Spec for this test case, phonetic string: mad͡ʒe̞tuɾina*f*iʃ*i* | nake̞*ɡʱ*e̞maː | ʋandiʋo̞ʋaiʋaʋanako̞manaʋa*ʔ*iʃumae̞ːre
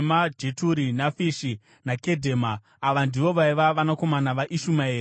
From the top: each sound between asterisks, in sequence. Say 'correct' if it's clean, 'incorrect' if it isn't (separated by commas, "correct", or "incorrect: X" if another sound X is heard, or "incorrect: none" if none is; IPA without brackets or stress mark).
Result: correct, correct, incorrect: dʱ, correct